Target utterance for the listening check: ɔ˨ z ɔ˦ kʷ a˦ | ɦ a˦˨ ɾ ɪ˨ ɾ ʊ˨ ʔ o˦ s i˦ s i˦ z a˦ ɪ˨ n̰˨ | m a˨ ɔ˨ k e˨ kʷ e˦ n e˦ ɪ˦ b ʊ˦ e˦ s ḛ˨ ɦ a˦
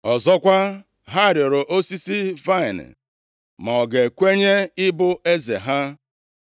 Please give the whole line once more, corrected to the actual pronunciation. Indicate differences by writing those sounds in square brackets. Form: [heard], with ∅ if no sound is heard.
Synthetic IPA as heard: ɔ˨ z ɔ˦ kʷ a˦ | ɦ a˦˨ ɾ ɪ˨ ɾ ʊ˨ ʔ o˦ s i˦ s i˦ [v] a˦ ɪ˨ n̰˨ | m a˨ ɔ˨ [ɡ] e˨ kʷ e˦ [ɲ] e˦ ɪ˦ b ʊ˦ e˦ [z] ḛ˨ ɦ a˦